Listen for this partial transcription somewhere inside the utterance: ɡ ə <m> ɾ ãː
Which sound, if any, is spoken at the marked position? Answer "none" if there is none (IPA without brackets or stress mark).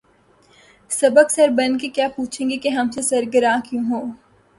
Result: none